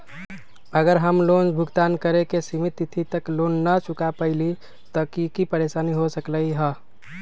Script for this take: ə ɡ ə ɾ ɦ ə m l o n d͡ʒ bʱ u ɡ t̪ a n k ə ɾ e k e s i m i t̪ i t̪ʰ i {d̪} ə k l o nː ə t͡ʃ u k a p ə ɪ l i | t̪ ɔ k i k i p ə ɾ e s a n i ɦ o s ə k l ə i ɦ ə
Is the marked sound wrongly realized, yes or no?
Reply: yes